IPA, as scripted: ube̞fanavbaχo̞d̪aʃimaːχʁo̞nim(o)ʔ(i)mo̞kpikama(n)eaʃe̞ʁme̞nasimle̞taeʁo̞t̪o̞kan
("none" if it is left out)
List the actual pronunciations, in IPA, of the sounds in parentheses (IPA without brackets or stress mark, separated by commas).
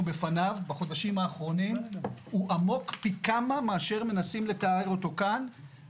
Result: u, a, m